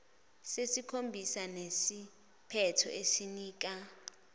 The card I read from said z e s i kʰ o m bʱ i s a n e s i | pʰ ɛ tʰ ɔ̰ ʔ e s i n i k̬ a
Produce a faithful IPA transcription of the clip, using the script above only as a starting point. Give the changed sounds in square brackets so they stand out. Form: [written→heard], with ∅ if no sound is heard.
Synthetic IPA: [z→s] e s i kʰ o m bʱ i s a n e s i | pʰ ɛ tʰ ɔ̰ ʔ e s i n [i→iː] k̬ a